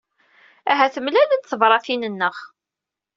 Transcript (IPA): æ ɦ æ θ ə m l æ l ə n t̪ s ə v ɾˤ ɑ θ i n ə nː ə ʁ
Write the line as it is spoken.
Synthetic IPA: æ ɦ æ θ ə m l æ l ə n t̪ θ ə v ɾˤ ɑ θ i n ə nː ə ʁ